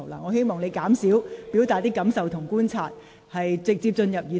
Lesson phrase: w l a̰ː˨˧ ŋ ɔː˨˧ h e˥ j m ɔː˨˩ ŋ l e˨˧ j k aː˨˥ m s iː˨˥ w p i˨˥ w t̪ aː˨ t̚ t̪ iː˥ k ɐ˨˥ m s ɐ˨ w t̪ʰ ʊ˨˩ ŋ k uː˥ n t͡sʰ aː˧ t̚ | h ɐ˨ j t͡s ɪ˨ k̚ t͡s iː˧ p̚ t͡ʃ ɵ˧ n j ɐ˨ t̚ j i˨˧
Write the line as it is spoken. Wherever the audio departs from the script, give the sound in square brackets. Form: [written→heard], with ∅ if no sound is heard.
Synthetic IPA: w l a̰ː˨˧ ŋ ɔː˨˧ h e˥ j m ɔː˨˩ ŋ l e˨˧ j k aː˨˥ m s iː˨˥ w p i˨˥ w t̪ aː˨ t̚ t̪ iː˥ k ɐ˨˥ m s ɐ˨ w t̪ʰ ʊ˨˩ ŋ k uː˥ n t͡sʰ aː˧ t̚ | h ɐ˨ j t͡s ɪ˨ k̚ t͡s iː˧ p̚ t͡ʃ ɵ˧ n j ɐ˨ [t̚→p̚] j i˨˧